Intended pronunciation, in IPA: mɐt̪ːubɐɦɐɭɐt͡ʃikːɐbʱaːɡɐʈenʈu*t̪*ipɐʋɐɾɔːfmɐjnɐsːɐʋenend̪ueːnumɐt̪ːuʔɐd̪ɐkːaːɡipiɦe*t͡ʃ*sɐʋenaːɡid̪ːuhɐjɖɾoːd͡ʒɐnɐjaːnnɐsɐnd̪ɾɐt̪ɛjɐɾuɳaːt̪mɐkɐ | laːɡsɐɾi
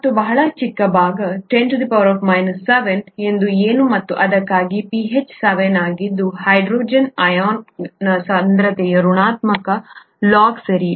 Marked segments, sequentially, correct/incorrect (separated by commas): incorrect, correct